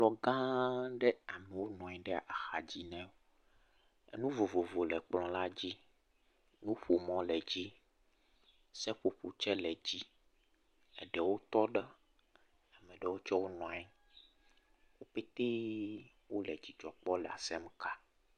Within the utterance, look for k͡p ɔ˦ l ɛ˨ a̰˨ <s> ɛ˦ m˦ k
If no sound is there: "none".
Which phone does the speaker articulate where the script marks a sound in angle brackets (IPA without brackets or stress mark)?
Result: s